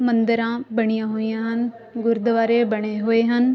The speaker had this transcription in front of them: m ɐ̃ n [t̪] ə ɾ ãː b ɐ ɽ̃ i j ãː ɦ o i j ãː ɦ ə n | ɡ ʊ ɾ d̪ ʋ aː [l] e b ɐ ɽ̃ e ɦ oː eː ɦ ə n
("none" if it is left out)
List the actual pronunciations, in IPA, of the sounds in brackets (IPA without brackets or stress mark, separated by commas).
d̪, ɾ